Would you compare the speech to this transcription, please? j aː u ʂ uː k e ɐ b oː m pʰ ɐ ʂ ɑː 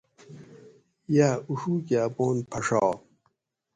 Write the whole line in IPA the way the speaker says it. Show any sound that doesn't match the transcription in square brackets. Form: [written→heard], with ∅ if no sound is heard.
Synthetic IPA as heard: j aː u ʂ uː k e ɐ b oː [m→n] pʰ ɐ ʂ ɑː

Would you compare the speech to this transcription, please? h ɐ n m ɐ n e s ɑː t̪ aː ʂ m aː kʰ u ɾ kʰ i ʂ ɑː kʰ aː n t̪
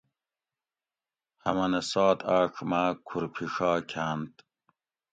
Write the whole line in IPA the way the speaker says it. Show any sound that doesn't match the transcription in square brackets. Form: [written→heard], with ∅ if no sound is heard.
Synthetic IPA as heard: h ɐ [n→∅] m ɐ n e s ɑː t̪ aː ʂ m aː kʰ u ɾ [kʰ→pʰ] i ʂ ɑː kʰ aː n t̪

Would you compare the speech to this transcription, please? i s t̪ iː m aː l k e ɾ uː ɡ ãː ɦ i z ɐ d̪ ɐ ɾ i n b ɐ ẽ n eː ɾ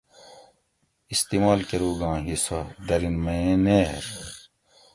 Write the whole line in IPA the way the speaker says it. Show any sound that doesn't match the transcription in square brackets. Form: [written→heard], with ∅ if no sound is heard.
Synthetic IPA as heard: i s t̪ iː m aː l k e ɾ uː ɡ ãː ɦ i [z→s] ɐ d̪ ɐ ɾ i n [b→m] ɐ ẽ n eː ɾ

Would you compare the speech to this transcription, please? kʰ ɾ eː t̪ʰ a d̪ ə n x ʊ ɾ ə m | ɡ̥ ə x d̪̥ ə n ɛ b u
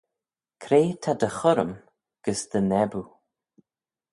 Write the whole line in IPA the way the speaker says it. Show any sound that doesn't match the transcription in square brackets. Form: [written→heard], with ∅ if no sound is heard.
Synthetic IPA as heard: kʰ ɾ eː t̪ʰ a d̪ ə [n→∅] x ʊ ɾ ə m | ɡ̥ ə [x→s] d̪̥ ə n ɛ b u

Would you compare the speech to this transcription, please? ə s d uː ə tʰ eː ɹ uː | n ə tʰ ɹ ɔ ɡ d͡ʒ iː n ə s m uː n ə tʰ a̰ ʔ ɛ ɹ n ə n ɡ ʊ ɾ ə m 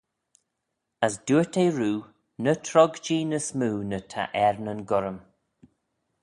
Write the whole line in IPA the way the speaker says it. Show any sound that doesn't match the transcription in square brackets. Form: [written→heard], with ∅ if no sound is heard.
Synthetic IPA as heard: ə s d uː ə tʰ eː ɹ uː | n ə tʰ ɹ ɔ ɡ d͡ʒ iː n ə s m uː n ə tʰ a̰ ʔ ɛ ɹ n ə n ɡ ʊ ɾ ə m

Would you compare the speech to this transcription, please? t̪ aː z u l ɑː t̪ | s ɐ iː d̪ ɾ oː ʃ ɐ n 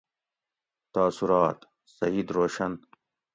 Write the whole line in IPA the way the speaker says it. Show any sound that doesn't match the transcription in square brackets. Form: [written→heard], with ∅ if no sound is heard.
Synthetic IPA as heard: t̪ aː [z→s] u [l→ɾ] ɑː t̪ | s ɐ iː d̪ ɾ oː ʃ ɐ n

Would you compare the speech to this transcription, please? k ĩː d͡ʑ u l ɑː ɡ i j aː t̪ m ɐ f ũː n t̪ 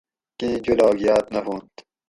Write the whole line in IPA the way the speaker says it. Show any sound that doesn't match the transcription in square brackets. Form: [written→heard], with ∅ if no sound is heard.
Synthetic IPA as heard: k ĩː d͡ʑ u l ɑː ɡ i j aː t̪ [m→n] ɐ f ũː n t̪

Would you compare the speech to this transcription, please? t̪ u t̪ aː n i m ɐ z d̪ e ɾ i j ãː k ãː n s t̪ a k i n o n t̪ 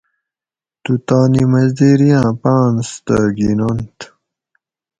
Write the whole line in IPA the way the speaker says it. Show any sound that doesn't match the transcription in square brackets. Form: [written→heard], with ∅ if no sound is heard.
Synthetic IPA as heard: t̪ u t̪ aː n i m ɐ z d̪ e ɾ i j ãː [k→p] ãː n s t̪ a [k→ɡ] i n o n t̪

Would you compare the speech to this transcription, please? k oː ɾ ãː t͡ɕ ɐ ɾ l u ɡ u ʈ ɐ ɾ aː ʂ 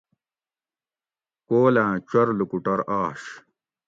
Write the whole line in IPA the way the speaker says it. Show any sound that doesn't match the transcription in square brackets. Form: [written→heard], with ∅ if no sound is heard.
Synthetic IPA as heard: k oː [ɾ→l] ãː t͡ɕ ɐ ɾ l u [ɡ→k] u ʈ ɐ ɾ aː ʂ

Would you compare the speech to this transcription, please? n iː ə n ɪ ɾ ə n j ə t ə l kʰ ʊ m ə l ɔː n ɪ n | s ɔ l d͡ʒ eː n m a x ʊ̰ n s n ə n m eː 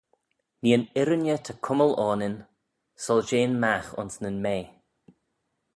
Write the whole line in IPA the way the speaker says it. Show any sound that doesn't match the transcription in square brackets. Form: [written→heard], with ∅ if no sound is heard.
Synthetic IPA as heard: n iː ə n ɪ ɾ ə n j ə [t→tʰ] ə [l→∅] kʰ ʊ m ə l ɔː n ɪ n | s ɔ l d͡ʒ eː n m a x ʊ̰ n s n ə n m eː

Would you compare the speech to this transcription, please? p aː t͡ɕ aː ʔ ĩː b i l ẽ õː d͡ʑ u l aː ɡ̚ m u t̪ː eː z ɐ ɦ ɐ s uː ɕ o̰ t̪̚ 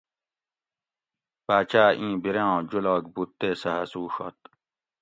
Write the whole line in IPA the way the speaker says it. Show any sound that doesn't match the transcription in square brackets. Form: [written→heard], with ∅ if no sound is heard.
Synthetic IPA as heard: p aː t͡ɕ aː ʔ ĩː b i [l→ɾ] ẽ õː d͡ʑ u l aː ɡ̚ [m→b] u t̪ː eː [z→s] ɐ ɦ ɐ s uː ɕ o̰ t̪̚

